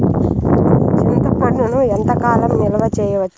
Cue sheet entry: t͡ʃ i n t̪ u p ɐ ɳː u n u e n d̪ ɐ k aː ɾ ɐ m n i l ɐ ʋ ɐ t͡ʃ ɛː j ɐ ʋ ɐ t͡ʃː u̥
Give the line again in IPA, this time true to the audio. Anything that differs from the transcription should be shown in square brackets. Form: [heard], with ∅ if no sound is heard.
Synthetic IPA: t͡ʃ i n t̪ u p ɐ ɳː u n u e n [t̪] ɐ k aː [l] ɐ m n i l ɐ ʋ ɐ t͡ʃ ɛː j ɐ ʋ ɐ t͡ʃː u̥